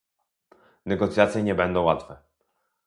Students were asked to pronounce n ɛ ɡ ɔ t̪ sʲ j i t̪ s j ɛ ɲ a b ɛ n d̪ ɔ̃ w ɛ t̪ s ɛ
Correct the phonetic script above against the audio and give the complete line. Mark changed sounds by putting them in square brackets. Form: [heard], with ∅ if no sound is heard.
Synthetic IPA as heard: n ɛ ɡ ɔ t̪ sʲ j [a] t̪ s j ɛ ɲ [ɛ] b ɛ n d̪ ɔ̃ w [a] t̪ [f] ɛ